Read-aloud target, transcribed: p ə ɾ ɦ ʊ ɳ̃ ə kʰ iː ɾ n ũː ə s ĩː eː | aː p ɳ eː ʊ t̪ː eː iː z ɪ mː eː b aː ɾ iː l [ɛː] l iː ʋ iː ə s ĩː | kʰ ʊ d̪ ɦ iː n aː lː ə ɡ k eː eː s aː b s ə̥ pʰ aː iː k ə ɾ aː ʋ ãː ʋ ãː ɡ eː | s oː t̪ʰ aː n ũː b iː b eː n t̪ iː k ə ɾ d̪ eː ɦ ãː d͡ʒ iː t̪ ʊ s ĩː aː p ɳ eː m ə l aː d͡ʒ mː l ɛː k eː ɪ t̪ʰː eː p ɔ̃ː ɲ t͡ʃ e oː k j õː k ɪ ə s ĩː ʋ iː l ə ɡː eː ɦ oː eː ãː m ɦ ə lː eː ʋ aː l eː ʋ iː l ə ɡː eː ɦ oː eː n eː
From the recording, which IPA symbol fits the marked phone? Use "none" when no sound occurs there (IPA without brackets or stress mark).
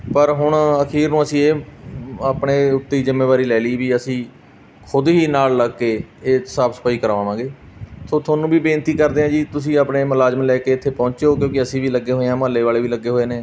ɛː